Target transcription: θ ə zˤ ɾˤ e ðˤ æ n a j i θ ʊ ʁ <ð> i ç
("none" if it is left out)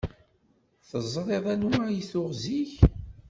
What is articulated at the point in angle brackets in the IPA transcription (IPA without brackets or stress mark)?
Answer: z